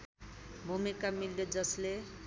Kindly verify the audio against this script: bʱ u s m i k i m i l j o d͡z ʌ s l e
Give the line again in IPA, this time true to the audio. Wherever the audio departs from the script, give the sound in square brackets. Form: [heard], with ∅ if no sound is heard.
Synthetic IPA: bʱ u [∅] m i k [a] m i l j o d͡z ʌ s l e